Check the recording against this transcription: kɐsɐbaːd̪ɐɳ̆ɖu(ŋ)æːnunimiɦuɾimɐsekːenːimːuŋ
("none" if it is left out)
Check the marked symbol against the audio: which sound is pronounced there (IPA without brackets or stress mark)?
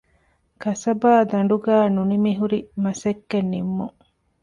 ɡ